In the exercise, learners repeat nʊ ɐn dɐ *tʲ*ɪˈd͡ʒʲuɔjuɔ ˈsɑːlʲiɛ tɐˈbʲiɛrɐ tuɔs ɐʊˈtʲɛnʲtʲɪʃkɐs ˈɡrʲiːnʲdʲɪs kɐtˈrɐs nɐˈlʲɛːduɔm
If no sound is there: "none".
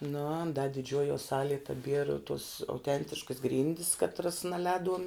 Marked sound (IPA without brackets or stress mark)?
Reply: dʲ